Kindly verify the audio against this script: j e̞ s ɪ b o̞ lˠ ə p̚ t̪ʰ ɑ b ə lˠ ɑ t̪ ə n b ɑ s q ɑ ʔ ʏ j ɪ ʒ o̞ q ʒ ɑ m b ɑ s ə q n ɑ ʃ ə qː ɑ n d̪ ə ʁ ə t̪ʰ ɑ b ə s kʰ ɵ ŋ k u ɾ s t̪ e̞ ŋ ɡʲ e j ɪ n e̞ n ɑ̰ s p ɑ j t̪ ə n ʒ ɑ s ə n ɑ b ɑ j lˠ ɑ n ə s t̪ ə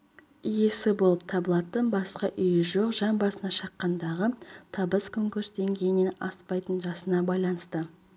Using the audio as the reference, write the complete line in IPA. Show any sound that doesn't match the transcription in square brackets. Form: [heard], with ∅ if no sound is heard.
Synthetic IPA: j e̞ s ɪ b o̞ lˠ ə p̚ t̪ʰ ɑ b ə lˠ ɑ t̪ ə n b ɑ s q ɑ ʔ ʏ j ɪ ʒ o̞ q ʒ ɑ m b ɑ s ə [∅] n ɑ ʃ [ɑ] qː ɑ n d̪ [ɑ] ʁ ə t̪ʰ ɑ b ə s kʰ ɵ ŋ k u ɾ s [d̪] e̞ ŋ ɡʲ e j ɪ n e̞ n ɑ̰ s p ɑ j t̪ ə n ʒ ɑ s ə n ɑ b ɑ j lˠ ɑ n ə s t̪ ə

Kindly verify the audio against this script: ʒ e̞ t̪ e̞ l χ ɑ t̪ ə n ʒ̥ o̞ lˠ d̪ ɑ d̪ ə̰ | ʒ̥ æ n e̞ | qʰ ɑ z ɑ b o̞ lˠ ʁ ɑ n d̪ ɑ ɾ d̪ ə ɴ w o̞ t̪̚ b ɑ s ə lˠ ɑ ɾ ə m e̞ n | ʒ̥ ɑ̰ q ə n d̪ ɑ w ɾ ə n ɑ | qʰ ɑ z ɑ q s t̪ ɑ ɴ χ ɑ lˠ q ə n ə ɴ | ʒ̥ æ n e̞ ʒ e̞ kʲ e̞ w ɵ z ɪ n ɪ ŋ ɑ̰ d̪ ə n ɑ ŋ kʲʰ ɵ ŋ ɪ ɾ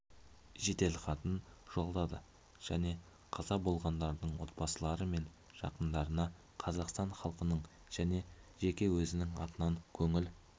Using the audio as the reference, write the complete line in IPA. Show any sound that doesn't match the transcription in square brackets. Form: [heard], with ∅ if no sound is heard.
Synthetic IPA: ʒ e̞ t̪ e̞ l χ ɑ t̪ ə n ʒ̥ o̞ lˠ d̪ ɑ d̪ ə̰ | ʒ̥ æ n e̞ | qʰ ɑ z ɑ b o̞ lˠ ʁ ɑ n d̪ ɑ ɾ d̪ ə ɴ w o̞ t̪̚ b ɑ s ə lˠ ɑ ɾ ə m e̞ n | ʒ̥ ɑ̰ q ə n d̪ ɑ [∅] ɾ ə n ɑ | qʰ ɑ z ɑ q s t̪ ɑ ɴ χ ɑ lˠ q ə n ə ɴ | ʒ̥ æ n e̞ ʒ e̞ kʲ e̞ w ɵ z ɪ n ɪ ŋ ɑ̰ [t̪] ə n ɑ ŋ kʲʰ ɵ ŋ ɪ [l]

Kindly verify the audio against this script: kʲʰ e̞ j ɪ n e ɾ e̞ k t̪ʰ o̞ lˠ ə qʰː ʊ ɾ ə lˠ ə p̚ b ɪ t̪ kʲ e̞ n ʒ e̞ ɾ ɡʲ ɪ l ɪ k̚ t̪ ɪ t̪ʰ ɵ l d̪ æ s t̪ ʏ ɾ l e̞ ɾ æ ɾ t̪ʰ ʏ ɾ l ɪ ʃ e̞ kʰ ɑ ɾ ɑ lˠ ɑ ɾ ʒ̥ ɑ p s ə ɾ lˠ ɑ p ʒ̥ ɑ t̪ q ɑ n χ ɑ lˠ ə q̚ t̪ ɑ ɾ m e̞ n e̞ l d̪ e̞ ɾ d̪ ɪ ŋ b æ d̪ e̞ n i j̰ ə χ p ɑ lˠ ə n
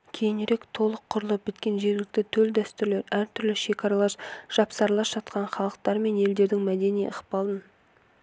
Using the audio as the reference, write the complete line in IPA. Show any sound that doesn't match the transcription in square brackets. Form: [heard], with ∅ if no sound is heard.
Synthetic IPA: kʲʰ e̞ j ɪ n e ɾ e̞ k t̪ʰ o̞ lˠ ə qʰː ʊ ɾ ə lˠ ə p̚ b ɪ t̪ kʲ e̞ n ʒ e̞ ɾ ɡʲ ɪ l ɪ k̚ t̪ ɪ t̪ʰ ɵ l d̪ æ s t̪ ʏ ɾ l e̞ ɾ æ ɾ t̪ʰ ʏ ɾ l ɪ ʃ e̞ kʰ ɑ ɾ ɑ lˠ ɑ ɾ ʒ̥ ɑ p s [ɑ] ɾ lˠ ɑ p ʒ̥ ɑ t̪ q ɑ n χ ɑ lˠ ə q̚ t̪ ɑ ɾ m e̞ n e̞ l d̪ e̞ ɾ d̪ ɪ ŋ [m] æ d̪ e̞ n i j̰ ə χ p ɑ lˠ ə n

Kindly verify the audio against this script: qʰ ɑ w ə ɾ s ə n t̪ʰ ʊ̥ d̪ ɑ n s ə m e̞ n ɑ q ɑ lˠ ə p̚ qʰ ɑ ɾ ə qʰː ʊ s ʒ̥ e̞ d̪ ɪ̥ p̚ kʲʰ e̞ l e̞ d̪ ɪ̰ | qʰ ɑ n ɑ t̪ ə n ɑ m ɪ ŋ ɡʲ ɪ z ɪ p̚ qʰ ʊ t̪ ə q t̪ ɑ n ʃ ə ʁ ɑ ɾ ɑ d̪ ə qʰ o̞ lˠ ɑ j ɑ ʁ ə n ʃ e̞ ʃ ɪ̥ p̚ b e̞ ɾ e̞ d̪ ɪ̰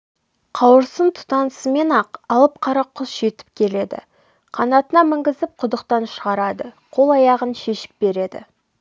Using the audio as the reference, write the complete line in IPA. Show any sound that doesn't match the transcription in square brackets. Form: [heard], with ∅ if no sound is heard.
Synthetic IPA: qʰ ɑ w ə ɾ s ə n t̪ʰ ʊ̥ [t̪] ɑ n s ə m e̞ n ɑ q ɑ lˠ ə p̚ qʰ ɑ ɾ [ɑ] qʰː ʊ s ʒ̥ e̞ [t̪] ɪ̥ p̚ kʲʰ e̞ l e̞ d̪ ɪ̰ | qʰ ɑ n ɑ t̪ ə n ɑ m ɪ ŋ ɡʲ ɪ z ɪ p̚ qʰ ʊ [d̪] ə q t̪ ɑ n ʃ ə ʁ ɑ ɾ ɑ d̪ ə qʰ o̞ lˠ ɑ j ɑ ʁ ə n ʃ e̞ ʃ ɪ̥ p̚ b e̞ ɾ e̞ d̪ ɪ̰

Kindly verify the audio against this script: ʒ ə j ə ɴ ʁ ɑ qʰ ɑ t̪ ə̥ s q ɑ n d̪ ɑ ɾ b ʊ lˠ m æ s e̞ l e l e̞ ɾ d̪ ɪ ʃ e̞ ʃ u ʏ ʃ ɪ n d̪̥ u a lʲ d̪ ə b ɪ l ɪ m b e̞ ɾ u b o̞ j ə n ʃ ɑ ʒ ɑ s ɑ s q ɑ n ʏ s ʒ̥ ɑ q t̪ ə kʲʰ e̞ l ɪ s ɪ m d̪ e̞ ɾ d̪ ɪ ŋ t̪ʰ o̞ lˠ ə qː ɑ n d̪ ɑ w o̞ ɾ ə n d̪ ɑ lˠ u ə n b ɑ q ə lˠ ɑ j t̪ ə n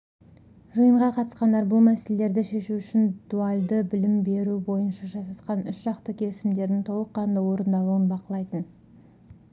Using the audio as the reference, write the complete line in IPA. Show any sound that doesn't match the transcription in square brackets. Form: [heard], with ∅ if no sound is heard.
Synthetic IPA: ʒ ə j ə ɴ ʁ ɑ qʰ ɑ t̪ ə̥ s q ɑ n d̪ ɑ ɾ b ʊ lˠ m æ s e̞ l e l e̞ ɾ d̪ ɪ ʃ e̞ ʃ u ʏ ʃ ɪ n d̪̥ u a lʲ d̪ ə b ɪ l ɪ m b e̞ ɾ u b o̞ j ə n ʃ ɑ ʒ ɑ s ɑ s q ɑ n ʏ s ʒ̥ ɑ q t̪ ə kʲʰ e̞ l ɪ s ɪ m d̪ e̞ ɾ d̪ ɪ ŋ t̪ʰ o̞ lˠ ə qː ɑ n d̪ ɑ w o̞ ɾ ə n d̪ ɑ lˠ u ə n b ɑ q ə lˠ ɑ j t̪ ə n

